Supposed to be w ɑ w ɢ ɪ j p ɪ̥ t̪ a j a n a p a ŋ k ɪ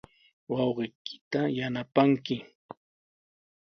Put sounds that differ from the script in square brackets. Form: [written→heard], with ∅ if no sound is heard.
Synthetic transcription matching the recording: w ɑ w ɢ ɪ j [p→k] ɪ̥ t̪ a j a n a p a ŋ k ɪ